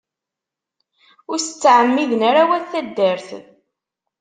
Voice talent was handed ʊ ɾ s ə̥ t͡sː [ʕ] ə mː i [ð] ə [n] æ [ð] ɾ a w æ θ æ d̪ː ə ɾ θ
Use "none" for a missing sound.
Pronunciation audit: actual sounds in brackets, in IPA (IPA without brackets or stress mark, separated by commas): ʕ, ð, n, none